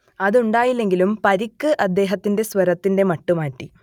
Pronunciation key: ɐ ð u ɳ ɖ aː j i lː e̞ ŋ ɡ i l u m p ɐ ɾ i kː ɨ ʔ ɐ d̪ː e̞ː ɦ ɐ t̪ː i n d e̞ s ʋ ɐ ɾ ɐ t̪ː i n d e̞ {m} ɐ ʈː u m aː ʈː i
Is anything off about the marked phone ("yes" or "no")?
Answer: no